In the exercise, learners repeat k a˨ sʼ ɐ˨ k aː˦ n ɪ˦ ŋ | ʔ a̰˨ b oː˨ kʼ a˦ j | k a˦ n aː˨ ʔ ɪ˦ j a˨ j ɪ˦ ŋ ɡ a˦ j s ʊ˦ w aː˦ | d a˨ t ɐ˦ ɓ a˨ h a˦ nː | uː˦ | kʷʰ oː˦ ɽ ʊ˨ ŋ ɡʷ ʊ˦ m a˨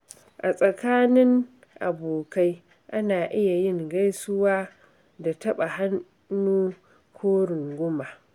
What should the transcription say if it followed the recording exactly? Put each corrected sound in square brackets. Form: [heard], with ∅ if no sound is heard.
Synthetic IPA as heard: [ʔ] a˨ sʼ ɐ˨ k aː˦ n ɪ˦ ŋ | ʔ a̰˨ b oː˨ [k] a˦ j | [ʔ] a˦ n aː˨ ʔ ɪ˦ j a˨ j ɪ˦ ŋ ɡ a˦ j s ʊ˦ w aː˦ | d a˨ t ɐ˦ ɓ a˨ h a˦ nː | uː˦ | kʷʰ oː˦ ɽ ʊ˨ ŋ ɡʷ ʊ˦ m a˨